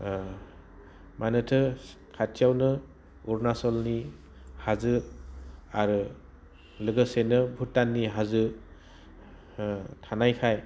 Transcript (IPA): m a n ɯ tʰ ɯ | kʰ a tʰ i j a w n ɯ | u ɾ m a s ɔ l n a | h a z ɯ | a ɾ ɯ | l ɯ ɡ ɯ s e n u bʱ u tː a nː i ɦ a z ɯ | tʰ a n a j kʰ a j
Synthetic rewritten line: m a n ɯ tʰ ɯ | kʰ a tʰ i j a w n ɯ | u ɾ n a s ɔ l n i | h a z ɯ | a ɾ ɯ | l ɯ ɡ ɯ s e n ɯ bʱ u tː a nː i ɦ a z ɯ | tʰ a n a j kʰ a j

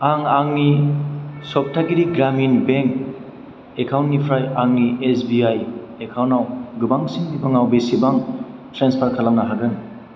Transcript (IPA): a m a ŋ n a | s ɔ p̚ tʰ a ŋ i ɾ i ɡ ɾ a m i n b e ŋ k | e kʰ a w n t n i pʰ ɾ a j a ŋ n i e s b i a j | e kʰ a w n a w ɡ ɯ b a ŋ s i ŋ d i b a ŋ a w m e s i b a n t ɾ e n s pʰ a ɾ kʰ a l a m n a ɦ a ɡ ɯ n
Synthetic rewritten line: a ŋ a ŋ n i | s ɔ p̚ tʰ a ɡ i ɾ i ɡ ɾ a m i n b e ŋ k | e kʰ a w n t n i pʰ ɾ a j a ŋ n i e s b i a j | e kʰ a w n a w ɡ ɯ b a ŋ s i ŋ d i b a ŋ a w b e s i b a ŋ t ɾ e n s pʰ a ɾ kʰ a l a m n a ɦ a ɡ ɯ n

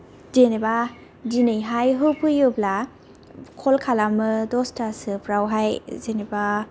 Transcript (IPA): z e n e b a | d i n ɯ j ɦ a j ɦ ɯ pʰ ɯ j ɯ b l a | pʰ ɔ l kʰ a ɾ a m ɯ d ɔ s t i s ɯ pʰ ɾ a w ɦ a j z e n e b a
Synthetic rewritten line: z e n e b a | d i n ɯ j ɦ a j ɦ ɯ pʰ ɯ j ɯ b l a | kʰ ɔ l kʰ a l a m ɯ d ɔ s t a s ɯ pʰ ɾ a w ɦ a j z e n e b a

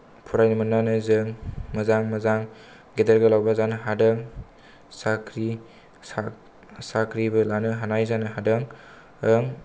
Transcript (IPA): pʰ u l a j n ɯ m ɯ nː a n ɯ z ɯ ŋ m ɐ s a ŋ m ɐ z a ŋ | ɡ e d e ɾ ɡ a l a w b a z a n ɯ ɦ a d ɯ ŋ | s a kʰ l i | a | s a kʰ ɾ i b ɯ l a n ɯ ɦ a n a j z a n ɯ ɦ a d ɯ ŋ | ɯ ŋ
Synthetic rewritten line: pʰ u ɾ a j n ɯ m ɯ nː a n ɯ z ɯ ŋ m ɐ z a ŋ m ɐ z a ŋ | ɡ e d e ɾ ɡ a l a w b a z a n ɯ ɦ a d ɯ ŋ | s a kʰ ɾ i | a | s a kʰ ɾ i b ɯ l a n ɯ ɦ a n a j z a n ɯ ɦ a d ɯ ŋ | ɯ ŋ

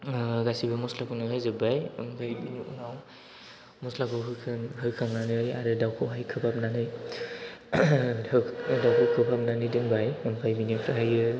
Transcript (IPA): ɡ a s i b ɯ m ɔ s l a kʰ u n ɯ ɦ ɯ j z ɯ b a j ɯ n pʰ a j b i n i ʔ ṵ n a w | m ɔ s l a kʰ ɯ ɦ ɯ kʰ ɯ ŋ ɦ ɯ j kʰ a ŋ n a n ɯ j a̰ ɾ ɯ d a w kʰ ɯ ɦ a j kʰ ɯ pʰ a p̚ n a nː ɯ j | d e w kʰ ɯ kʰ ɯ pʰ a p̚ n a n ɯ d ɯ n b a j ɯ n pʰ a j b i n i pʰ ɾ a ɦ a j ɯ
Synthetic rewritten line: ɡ a s i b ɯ m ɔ s l a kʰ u n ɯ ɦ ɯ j z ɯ b a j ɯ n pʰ a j b i n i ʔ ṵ n a w | m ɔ s l a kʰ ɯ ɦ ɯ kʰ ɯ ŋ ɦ ɯ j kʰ a ŋ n a n ɯ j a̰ ɾ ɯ d a w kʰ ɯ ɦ a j kʰ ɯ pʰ a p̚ n a n ɯ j | d a w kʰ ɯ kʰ ɯ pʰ a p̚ n a n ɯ d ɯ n b a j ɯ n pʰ a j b i n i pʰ ɾ a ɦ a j ɯ

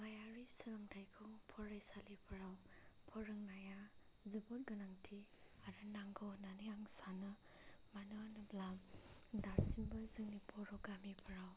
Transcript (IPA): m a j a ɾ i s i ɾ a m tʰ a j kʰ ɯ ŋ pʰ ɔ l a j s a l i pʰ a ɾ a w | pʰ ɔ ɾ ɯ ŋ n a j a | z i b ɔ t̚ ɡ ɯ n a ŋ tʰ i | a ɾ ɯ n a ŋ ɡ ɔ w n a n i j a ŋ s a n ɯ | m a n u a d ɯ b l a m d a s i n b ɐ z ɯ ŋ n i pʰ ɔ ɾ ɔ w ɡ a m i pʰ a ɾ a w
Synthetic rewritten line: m a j a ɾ i s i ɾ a m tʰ a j kʰ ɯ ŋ pʰ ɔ ɾ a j s a l i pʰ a ɾ a w | pʰ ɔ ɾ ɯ ŋ n a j a | z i b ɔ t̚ ɡ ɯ n a ŋ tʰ i | a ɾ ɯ n a ŋ ɡ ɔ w n a n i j a ŋ s a n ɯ | m a n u a n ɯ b l a m d a s i n b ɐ z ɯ ŋ n i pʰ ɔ ɾ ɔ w ɡ a m i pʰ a ɾ a w

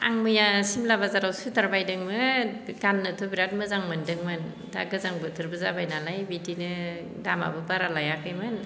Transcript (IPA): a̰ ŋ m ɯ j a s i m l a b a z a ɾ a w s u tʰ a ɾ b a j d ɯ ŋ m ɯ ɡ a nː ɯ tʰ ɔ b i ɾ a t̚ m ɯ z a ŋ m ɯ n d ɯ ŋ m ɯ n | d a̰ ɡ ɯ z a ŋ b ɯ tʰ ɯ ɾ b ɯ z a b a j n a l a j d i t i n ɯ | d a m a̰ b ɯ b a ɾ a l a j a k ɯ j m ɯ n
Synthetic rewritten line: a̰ ŋ m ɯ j a s i m l a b a z a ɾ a w s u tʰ a ɾ b a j d ɯ ŋ m ɯ ɡ a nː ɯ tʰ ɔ b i ɾ a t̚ m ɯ z a ŋ m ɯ n d ɯ ŋ m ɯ n | d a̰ ɡ ɯ z a ŋ b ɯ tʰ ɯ ɾ b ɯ z a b a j n a l a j b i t i n ɯ | d a m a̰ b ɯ b a ɾ a l a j a k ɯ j m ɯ n

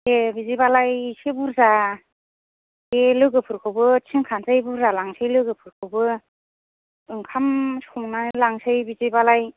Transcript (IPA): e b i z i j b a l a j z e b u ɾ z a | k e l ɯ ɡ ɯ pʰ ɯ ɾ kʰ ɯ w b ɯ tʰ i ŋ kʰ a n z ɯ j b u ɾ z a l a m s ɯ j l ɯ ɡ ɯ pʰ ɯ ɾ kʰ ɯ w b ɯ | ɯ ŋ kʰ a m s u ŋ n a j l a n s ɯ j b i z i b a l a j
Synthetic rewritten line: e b i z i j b a l a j s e b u ɾ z a | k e l ɯ ɡ ɯ pʰ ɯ ɾ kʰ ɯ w b ɯ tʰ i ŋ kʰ a n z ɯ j b u ɾ z a l a ŋ s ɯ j l ɯ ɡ ɯ pʰ ɯ ɾ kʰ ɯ w b ɯ | ɯ ŋ kʰ a m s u ŋ n a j l a ŋ s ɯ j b i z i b a l a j

